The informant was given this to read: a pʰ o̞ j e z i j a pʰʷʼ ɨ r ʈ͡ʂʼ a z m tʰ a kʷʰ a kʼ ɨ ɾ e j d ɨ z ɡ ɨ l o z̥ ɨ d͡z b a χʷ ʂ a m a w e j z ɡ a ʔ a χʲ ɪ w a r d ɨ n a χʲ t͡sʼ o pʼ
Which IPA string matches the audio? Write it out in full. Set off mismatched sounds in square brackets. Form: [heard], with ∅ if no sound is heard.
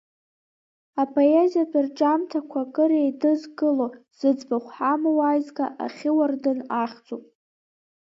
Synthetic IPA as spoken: a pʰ o̞ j e z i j a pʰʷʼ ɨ r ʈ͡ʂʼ a [∅] m tʰ a kʷʰ a kʼ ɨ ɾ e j d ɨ z ɡ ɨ l o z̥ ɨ d͡z b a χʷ [ħ] a m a w [a] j z ɡ a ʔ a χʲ ɪ w a r d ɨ n a χʲ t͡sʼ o pʼ

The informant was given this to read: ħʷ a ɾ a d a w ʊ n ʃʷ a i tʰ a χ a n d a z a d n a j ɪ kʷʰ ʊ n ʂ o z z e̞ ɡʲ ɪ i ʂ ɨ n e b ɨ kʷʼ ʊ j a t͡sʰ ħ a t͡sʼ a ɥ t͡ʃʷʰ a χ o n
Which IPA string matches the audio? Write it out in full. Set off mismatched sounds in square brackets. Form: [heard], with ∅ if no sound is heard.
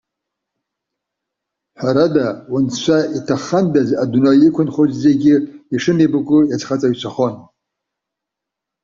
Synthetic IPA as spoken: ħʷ a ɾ a d a w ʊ n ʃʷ a i tʰ a χ a n d a z a d n a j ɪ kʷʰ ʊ n [χ] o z z e̞ ɡʲ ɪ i ʂ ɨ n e b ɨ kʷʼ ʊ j a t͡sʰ [χ] a t͡sʼ a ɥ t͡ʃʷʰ a χ o n

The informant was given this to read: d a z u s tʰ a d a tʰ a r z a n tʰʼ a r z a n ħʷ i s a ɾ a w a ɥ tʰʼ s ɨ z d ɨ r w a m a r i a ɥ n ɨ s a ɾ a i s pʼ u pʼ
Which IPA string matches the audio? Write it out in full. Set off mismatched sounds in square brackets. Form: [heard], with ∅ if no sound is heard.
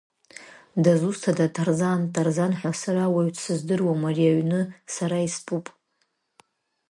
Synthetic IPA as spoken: d a z u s tʰ a d a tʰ a r z a n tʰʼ a r z a n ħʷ [a] s a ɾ a w a ɥ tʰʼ s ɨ z d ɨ r w a m a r i a ɥ n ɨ s a ɾ a i s pʼ u pʼ

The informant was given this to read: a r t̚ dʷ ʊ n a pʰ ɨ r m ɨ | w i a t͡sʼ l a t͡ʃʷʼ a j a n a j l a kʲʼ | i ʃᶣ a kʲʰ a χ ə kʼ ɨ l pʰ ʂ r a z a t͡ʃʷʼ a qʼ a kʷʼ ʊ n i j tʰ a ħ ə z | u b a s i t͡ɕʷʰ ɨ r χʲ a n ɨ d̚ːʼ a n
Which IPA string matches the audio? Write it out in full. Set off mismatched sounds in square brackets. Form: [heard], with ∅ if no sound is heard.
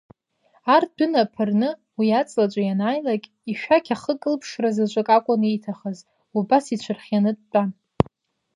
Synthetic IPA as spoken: a r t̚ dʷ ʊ n a pʰ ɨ r [n] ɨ | w i a t͡sʼ l a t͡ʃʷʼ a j a n a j l a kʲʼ | i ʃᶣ a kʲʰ a χ ə kʼ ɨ l pʰ ʂ r a z a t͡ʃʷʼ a [kʼ] a kʷʼ ʊ n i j tʰ a [χ] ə z | u b a s i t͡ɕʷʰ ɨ r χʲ a n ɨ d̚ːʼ a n

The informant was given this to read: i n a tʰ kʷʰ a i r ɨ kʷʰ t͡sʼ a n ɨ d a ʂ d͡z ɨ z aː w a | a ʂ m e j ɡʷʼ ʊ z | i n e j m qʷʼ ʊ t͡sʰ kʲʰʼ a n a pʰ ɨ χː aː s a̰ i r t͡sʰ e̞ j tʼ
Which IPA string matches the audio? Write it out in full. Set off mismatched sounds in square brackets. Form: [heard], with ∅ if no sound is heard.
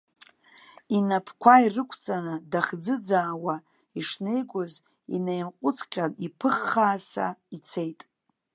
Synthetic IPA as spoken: i n a [pʰ] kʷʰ a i r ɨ kʷʰ t͡sʼ a n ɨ d a [χ] d͡z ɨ [d͡z] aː w a | [i] ʂ [n] e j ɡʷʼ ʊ z | i n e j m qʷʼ ʊ t͡sʰ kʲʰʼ a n [i] pʰ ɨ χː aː s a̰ i [∅] t͡sʰ e̞ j tʼ

